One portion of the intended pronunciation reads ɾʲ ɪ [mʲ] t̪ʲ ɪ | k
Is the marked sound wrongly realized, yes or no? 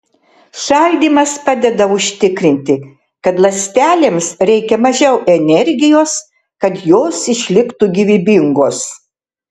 yes